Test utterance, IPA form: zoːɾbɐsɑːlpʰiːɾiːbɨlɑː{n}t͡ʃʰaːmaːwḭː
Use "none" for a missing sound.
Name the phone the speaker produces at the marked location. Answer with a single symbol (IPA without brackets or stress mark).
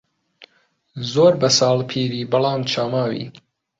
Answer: m